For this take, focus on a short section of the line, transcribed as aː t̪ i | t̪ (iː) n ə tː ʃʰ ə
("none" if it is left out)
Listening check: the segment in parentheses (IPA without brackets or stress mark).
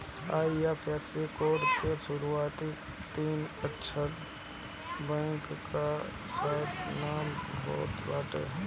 iː